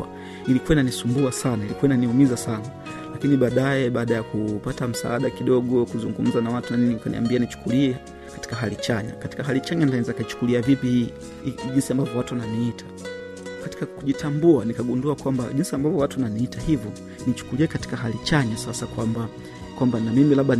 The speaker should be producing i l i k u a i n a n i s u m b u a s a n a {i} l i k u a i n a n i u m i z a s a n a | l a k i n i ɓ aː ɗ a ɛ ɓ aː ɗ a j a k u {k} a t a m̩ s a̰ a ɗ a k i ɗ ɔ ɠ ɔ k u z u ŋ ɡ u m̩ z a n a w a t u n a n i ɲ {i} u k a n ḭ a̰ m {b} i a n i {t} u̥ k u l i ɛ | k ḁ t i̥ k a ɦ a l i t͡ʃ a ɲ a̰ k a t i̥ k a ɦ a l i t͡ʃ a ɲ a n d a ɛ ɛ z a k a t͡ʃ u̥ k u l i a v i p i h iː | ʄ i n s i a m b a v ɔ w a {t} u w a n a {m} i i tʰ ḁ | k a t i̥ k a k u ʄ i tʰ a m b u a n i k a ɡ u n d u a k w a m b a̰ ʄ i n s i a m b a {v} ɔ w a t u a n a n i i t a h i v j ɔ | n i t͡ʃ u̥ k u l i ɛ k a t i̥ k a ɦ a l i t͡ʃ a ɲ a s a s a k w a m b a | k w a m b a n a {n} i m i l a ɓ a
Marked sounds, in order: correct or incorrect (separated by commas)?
correct, incorrect, correct, correct, incorrect, correct, incorrect, correct, incorrect